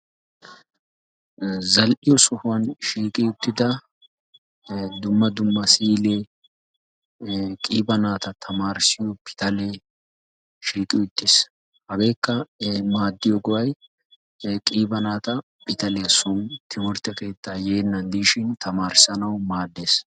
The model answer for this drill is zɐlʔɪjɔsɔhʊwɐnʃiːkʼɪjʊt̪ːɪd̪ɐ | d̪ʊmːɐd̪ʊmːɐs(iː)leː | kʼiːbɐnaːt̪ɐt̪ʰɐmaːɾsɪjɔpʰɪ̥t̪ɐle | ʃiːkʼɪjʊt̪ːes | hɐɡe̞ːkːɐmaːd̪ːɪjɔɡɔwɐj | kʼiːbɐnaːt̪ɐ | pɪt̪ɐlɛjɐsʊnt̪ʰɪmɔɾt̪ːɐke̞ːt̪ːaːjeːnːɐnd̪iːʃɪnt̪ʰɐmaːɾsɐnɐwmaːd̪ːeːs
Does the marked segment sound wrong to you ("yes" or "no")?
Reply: no